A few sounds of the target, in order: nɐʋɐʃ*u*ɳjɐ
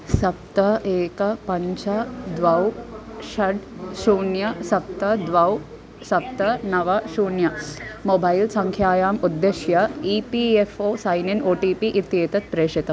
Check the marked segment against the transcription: incorrect: uː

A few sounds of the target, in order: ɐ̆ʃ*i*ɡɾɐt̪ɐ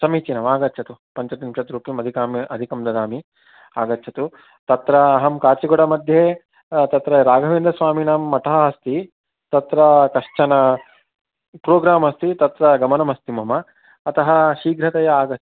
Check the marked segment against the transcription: incorrect: iː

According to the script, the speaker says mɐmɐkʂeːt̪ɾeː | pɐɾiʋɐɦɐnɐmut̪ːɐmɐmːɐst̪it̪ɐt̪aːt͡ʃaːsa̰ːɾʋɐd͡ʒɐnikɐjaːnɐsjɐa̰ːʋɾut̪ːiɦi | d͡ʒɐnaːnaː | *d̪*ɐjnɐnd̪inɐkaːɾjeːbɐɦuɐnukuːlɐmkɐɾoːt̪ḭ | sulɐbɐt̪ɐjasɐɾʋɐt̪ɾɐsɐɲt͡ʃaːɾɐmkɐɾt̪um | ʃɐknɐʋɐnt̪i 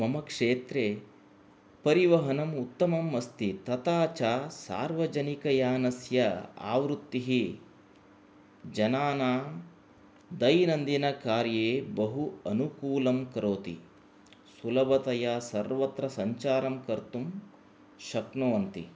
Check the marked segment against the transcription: correct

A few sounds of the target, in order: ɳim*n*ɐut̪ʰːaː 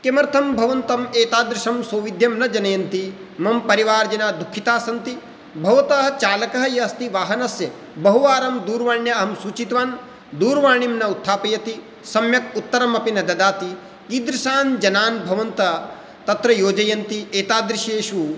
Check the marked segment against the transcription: correct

